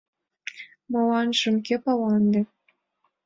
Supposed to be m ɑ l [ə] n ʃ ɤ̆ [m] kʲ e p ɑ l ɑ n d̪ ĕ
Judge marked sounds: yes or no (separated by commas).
no, yes